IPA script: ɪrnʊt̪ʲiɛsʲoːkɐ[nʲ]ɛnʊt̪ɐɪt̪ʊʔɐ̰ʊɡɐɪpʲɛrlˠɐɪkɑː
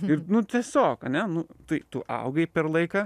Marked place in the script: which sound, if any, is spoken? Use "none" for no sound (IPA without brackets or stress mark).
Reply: nʲ